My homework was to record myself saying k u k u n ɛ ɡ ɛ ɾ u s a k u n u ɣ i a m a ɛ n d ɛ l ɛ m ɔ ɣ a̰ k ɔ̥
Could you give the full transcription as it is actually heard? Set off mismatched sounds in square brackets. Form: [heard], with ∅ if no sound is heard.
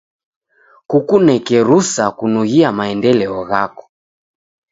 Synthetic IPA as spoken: k u k u n ɛ [k] ɛ ɾ u s a k u n u ɣ i a m a ɛ n d ɛ l ɛ [∅] ɔ ɣ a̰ k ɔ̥